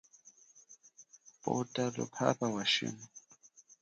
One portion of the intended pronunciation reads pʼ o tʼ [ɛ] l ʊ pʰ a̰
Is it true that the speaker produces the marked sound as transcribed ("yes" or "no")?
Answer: no